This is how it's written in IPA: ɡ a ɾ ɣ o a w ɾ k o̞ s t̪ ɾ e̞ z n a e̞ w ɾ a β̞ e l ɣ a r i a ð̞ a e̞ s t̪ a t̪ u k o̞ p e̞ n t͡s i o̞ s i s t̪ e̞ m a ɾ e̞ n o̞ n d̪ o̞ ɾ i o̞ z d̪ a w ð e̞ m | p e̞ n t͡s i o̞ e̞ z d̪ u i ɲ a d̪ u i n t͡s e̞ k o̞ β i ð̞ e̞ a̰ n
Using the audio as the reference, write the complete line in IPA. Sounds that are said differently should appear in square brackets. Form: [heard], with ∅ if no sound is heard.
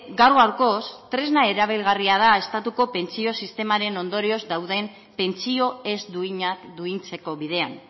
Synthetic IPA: ɡ a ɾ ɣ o a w ɾ k o̞ s t̪ ɾ e̞ z n a e̞ [∅] ɾ a β̞ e l ɣ a r i a ð̞ a e̞ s t̪ a t̪ u k o̞ p e̞ n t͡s i o̞ s i s t̪ e̞ m a ɾ e̞ n o̞ n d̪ o̞ ɾ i o̞ z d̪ a w ð e̞ m | p e̞ n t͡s i o̞ e̞ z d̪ u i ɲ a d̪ u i n t͡s e̞ k o̞ β i ð̞ e̞ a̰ n

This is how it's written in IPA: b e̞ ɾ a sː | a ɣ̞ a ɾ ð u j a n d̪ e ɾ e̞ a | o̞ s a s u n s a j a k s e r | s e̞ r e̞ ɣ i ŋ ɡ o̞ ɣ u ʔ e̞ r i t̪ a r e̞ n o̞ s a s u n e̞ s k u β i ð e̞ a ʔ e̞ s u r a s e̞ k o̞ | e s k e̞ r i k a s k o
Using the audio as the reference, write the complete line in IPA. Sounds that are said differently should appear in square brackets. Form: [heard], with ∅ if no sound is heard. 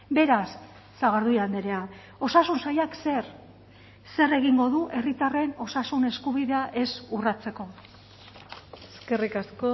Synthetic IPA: b e̞ ɾ a sː | a ɣ̞ a ɾ ð u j a n d̪ e ɾ e̞ a | o̞ s a s u n s a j a k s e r | s e̞ r e̞ ɣ i ŋ ɡ o̞ [ð] u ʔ e̞ r i t̪ a r e̞ n o̞ s a s u n e̞ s k u β i ð e̞ a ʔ e̞ s u r a [t͡s] e̞ k o̞ | e s k e̞ r i k a s k o

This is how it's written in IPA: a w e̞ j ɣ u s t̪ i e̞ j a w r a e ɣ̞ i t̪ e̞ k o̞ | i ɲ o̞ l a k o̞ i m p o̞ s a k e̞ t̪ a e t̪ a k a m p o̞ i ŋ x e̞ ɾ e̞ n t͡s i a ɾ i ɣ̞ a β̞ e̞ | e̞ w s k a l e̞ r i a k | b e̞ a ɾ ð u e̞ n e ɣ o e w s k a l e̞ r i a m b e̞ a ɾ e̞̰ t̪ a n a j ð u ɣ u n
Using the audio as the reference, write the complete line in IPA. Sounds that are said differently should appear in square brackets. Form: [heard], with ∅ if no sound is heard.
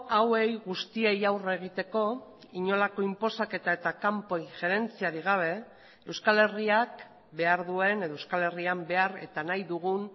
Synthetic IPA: a w e̞ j ɣ u s t̪ i e̞ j a w r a e ɣ̞ i t̪ e̞ k o̞ | i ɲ o̞ l a k o̞ i m p o̞ s a k e̞ t̪ a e t̪ a k a m p o̞ i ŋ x e̞ ɾ e̞ n t͡s i a ɾ i ɣ̞ a β̞ e̞ | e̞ w s k a l e̞ r i a k | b e̞ a ɾ ð u e̞ n e [ð] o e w s k a l e̞ r i a m b e̞ a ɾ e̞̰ t̪ a n a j ð u ɣ u n

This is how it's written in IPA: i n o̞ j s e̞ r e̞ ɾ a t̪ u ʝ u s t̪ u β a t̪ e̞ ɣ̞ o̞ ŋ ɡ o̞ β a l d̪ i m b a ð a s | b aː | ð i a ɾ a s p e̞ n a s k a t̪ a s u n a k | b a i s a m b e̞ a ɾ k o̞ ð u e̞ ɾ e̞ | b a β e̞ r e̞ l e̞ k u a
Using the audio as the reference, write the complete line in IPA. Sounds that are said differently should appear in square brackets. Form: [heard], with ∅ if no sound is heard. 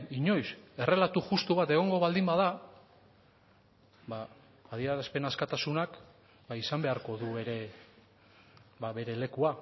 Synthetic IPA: i [ɲ] o̞ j s e̞ r e̞ [l] a t̪ u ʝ u s t̪ u β a t̪ e̞ ɣ̞ o̞ ŋ ɡ o̞ β a l d̪ i m b a ð a [∅] | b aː | ð i a ɾ a s p e̞ n a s k a t̪ a s u n a k | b a i s a m b e̞ a ɾ k o̞ ð u e̞ ɾ e̞ | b a β e̞ [ɾ] e̞ l e̞ k u a

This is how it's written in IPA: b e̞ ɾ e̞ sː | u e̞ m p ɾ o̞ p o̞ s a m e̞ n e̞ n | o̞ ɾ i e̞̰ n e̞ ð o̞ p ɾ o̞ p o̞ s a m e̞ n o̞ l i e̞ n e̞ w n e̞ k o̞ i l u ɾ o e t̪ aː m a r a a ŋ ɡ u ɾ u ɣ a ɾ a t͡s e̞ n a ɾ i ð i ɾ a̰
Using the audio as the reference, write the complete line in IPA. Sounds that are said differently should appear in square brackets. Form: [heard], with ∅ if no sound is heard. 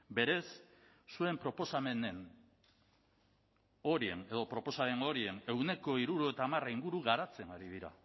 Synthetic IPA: b e̞ ɾ e̞ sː | u e̞ m p ɾ o̞ p o̞ s a m e̞ n e̞ n | o̞ ɾ i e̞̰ n e̞ ð o̞ p ɾ o̞ p o̞ s a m e̞ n o̞ [ɾ] i e̞ n e̞ w n e̞ k o̞ i [ɾ] u ɾ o e t̪ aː m a r a [i] ŋ ɡ u ɾ u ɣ a ɾ a t͡s e̞ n a ɾ i ð i ɾ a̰

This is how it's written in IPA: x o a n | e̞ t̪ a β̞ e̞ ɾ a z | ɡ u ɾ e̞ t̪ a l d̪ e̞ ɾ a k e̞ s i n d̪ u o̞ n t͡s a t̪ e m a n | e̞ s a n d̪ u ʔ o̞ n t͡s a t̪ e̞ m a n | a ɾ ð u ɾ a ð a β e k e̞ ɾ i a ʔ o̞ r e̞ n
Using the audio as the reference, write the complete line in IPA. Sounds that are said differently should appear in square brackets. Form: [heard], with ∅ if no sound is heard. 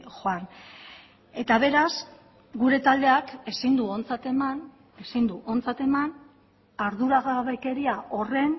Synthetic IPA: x o a n | e̞ t̪ a β̞ e̞ ɾ a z | ɡ u ɾ e̞ t̪ a l d̪ e̞ [∅] a k e̞ s i n d̪ u o̞ n t͡s a t̪ e m a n | e̞ s [i] n d̪ u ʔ o̞ n t͡s a t̪ e̞ m a n | a ɾ ð u ɾ a [ɣ] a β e k e̞ ɾ i a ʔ o̞ r e̞ n

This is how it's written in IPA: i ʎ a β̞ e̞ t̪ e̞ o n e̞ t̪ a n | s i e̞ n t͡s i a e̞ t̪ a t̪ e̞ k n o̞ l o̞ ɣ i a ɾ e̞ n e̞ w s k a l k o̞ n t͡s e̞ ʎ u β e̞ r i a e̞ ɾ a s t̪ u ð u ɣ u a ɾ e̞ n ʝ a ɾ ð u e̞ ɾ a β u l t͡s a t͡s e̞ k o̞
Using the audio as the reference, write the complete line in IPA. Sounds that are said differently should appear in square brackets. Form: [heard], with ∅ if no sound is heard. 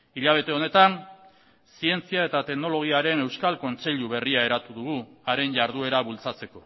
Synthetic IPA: i ʎ a β̞ e̞ t̪ e̞ o n e̞ t̪ a n | s i e̞ n t͡s i a e̞ t̪ a t̪ e̞ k n o̞ l o̞ ɣ i a ɾ e̞ n e̞ w s k a l k o̞ n t͡s e̞ ʎ u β e̞ r i a e̞ ɾ a [∅] t̪ u ð u ɣ u a ɾ e̞ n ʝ a ɾ ð u e̞ ɾ a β u l t͡s a t͡s e̞ k o̞

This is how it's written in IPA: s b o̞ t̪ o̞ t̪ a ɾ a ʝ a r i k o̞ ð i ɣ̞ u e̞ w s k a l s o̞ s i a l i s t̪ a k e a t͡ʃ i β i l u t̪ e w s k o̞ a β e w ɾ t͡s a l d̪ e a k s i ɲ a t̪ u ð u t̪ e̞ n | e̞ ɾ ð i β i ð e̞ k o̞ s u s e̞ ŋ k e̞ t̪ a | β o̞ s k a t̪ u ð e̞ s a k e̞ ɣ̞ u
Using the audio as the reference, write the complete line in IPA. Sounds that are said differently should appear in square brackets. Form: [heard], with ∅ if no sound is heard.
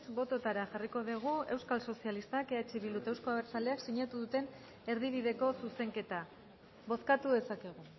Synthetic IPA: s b o̞ t̪ o̞ t̪ a ɾ a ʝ a r i k o̞ ð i ɣ̞ u e̞ w s k a l s o̞ s i a l i s t̪ a k e a t͡ʃ i β i l u t̪ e w s k o̞ a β e [∅] ɾ t͡s a l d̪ e a k s i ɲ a t̪ u ð u t̪ e̞ n | e̞ ɾ ð i β i ð e̞ k o̞ s u s e̞ ŋ k e̞ t̪ a | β o̞ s k a t̪ u ð e̞ s a k e̞ ɣ̞ u

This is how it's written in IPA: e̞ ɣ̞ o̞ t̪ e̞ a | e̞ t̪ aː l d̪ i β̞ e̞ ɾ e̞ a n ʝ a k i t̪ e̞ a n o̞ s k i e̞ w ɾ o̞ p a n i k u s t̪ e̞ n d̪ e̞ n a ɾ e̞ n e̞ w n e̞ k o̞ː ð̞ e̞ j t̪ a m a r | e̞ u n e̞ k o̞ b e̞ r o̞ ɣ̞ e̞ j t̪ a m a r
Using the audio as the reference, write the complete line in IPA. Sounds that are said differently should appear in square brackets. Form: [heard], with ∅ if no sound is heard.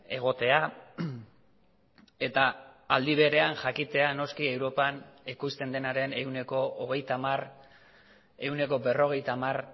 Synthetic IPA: e̞ ɣ̞ o̞ t̪ e̞ a | e̞ t̪ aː l d̪ i β̞ e̞ ɾ e̞ a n ʝ a k i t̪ e̞ a n o̞ s k i e̞ w ɾ o̞ p a n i k u s t̪ e̞ n d̪ e̞ n a ɾ e̞ n e̞ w n e̞ k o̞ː [ɣ̞] e̞ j t̪ a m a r | e̞ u n e̞ k o̞ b e̞ r o̞ ɣ̞ e̞ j t̪ a m a r

